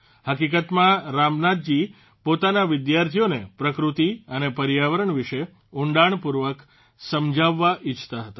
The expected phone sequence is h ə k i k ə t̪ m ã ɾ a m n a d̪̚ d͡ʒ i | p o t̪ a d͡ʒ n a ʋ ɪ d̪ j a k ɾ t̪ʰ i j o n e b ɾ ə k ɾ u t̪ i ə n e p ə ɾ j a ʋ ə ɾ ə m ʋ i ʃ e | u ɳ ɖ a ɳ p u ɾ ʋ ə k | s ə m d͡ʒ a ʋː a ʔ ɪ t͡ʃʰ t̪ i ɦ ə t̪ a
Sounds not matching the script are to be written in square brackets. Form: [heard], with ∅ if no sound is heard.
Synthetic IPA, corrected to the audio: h ə k i k ə t̪ m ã ɾ a m n a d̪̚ d͡ʒ i | p o t̪ a [∅] n a ʋ ɪ d̪ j a [∅] ɾ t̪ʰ i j o n e [p] ɾ ə k ɾ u t̪ i ə n e p ə ɾ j a ʋ ə ɾ ə [ɳ] ʋ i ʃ e | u ɳ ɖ a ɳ p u ɾ ʋ ə k | s ə m d͡ʒ a ʋː a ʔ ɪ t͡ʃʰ t̪ [a] ɦ ə t̪ a